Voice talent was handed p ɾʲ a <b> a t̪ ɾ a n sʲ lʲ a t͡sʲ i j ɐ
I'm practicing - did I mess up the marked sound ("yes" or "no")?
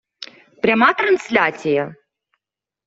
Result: yes